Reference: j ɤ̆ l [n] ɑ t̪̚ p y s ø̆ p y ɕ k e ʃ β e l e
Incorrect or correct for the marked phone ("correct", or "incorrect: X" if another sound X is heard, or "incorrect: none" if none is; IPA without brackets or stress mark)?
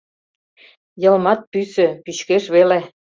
incorrect: m